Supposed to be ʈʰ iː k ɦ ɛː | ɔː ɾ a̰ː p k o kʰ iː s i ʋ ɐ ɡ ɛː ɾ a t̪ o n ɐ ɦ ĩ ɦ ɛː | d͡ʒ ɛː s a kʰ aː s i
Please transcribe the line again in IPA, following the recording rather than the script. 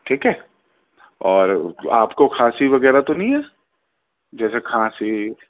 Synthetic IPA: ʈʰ iː k ɦ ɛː | ɔː ɾ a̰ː p k o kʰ aː s i ʋ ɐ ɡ ɛː ɾ a t̪ o n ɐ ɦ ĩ ɦ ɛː | d͡ʒ ɛː s e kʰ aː s i